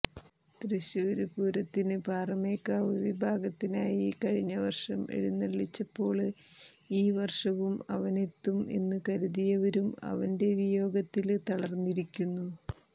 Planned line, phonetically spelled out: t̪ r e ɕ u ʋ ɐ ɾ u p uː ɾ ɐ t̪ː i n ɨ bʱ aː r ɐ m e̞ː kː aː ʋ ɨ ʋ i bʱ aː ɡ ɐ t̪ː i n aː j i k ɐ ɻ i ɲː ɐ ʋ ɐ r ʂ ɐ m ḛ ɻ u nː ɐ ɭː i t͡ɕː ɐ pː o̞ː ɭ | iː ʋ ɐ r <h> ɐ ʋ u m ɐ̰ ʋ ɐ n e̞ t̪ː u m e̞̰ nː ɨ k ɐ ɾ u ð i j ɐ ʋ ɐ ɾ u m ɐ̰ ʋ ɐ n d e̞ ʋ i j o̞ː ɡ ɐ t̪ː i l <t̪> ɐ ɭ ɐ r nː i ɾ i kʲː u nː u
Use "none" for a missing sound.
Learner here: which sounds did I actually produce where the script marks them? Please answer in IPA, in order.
ʂ, t̪

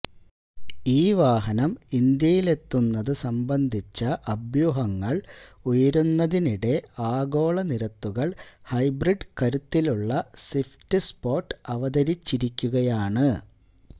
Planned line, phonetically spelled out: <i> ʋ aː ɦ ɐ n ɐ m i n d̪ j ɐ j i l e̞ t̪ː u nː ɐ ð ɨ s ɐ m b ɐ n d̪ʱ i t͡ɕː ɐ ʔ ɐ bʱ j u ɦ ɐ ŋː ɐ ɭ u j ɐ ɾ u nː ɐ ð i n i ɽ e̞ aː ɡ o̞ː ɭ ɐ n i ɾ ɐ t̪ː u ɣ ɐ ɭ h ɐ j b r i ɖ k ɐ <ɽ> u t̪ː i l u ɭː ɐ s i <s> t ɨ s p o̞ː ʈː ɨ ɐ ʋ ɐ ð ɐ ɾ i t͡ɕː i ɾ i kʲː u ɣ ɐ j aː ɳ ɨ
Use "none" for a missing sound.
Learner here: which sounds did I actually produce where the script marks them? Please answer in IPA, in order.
iː, ɾ, f

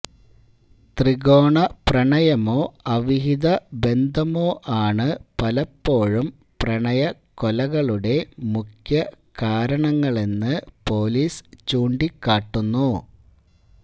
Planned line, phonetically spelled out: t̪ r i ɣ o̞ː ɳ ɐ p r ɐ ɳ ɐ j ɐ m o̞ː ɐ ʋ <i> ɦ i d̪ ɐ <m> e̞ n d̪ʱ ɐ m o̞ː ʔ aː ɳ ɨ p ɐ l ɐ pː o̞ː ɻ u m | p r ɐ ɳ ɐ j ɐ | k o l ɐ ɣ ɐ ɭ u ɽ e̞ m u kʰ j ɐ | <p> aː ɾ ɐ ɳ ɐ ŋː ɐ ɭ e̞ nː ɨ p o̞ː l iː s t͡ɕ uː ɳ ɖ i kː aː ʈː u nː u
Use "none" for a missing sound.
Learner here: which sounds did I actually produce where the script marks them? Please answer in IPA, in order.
i, b, k

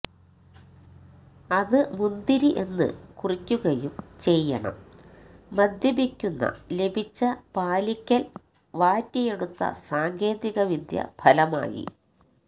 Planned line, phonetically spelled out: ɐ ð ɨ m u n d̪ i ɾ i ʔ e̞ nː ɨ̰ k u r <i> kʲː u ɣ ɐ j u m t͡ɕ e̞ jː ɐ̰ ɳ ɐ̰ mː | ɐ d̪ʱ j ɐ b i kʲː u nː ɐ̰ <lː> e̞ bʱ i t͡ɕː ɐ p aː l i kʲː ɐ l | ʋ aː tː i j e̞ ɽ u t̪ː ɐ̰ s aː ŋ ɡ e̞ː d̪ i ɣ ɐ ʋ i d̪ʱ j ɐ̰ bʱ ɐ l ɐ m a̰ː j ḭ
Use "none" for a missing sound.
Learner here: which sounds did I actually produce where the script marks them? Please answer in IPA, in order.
i, l

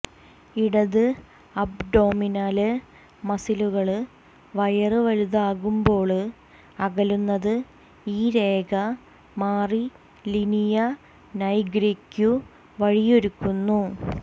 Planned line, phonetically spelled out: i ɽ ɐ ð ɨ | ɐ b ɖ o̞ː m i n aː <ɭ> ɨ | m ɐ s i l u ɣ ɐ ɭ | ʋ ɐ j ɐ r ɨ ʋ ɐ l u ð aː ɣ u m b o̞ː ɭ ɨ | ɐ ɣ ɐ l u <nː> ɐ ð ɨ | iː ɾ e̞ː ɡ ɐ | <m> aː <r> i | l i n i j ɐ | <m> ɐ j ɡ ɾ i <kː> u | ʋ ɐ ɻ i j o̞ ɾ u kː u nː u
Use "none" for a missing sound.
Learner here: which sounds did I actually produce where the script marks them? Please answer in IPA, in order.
l, nː, m, r, n, kː

